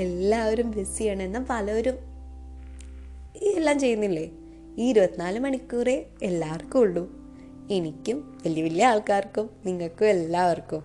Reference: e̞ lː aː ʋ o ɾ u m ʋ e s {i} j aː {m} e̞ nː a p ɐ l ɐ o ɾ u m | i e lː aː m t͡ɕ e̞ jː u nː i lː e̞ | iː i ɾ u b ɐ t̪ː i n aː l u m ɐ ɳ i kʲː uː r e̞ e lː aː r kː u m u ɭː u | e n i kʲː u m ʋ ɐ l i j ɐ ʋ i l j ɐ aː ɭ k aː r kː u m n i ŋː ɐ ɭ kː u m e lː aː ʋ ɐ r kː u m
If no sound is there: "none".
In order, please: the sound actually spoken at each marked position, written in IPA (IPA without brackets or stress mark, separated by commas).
i, ɳ